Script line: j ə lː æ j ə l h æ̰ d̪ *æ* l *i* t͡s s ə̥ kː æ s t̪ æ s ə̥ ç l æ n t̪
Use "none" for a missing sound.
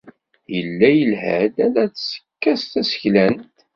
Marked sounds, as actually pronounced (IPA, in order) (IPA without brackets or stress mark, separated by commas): æ, æ